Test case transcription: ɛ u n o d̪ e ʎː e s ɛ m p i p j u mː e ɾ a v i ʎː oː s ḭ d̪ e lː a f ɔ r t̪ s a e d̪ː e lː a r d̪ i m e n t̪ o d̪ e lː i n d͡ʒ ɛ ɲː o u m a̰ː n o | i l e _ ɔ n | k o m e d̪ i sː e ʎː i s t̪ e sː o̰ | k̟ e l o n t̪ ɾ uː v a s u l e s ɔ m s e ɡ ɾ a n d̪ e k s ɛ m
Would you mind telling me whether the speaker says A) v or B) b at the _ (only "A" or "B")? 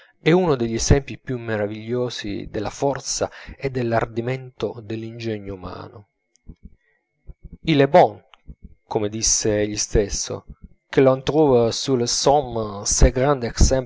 B